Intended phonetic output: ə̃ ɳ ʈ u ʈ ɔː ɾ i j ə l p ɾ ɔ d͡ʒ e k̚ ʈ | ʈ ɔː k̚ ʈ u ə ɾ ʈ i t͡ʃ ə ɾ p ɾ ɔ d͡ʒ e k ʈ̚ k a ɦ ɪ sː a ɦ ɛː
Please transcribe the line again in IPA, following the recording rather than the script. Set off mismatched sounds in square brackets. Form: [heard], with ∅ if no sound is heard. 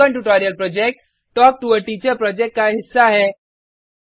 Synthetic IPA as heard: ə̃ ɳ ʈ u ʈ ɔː ɾ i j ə l p ɾ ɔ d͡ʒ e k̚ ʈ | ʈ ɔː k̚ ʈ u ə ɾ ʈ i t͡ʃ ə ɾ p ɾ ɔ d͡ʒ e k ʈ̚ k a ɦ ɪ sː a ɦ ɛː

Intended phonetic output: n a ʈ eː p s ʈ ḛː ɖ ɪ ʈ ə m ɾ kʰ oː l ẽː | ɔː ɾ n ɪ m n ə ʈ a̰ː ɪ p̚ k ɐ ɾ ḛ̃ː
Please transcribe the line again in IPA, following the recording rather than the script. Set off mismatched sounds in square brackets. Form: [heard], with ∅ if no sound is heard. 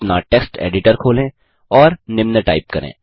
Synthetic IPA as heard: n a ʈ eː [k] s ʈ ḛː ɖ ɪ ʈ ə [∅] ɾ kʰ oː l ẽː | ɔː ɾ n ɪ m n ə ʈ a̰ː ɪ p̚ k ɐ ɾ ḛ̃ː

